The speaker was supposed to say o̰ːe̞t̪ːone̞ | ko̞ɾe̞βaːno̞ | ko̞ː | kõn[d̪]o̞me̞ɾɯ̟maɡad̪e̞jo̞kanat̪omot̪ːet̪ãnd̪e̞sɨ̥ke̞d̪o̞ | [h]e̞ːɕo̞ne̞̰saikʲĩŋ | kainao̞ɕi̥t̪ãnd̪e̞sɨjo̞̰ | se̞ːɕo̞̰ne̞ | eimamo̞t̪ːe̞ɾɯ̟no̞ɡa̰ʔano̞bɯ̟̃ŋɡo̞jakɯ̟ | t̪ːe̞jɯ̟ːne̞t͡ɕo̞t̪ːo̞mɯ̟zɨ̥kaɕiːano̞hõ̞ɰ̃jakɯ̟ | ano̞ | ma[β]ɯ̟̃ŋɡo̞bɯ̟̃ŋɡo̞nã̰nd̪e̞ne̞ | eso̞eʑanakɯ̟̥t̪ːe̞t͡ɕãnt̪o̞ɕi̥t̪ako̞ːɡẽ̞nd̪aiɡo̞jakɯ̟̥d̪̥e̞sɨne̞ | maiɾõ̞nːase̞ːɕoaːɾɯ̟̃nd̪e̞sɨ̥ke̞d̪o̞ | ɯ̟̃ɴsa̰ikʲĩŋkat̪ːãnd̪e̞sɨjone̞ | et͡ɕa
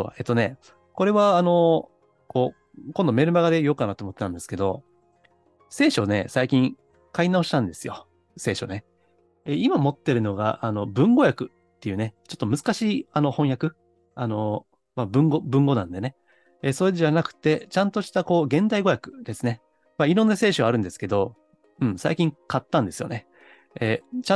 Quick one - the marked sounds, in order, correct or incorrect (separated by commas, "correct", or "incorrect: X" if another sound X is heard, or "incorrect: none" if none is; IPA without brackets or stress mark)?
correct, incorrect: s, incorrect: b